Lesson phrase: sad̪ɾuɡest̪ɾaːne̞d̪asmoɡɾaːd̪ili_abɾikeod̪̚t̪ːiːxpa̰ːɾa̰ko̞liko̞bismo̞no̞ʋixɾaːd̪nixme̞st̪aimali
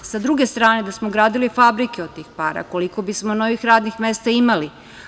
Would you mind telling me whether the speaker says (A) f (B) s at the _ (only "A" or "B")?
A